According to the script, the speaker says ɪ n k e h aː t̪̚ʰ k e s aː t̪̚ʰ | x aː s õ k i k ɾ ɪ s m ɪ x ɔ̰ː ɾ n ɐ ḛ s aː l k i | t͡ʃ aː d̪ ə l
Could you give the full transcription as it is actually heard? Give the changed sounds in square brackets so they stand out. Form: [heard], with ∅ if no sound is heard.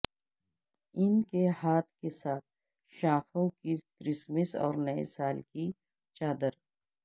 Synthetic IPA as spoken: ɪ n k e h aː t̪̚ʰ k e s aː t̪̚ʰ | [ʃ] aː [x] õ k i k ɾ ɪ s m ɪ [s] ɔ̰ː ɾ n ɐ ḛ s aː l k i | t͡ʃ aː d̪ ə [ɾ]